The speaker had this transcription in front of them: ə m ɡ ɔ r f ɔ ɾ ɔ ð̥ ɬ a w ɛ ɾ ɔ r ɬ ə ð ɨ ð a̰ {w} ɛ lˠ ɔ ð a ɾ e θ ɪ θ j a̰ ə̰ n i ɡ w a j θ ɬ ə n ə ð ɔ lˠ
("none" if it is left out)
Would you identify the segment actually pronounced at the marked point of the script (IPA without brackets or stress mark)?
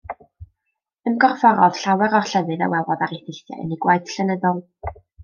w